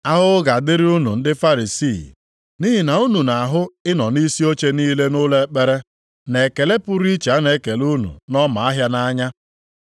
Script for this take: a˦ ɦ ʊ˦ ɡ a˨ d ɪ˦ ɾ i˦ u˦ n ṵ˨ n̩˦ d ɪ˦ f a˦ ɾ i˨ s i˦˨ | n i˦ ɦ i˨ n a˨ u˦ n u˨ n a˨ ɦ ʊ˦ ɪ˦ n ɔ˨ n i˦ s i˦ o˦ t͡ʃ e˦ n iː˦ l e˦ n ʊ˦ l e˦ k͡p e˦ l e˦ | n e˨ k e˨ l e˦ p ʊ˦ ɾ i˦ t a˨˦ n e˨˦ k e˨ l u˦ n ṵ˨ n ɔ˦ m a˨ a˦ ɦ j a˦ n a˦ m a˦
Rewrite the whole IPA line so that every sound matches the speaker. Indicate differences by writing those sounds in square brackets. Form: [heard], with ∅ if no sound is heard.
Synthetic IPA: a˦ ɦ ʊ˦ ɡ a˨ d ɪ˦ ɾ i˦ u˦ n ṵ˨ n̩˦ d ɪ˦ f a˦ ɾ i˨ s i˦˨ | n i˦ ɦ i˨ n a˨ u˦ n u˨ n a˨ ɦ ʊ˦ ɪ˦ n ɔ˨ n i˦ s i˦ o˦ t͡ʃ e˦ n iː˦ l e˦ n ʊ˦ l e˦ k͡p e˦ [ɾ] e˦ | n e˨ k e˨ l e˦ p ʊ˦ ɾ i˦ [t͡ʃ] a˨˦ n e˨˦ k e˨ l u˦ n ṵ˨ n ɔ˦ m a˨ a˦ ɦ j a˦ n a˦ [ɲ] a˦